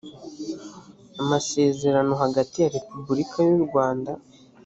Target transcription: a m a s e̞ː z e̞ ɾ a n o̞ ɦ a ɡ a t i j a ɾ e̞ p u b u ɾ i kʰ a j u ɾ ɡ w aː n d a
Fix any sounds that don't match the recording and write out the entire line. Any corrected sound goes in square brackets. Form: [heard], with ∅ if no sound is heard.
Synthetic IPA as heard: a m a s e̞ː z e̞ ɾ a n o̞ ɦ a ɡ a t i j a ɾ e̞ p u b u ɾ i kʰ a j u ɾ ɡ w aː n d a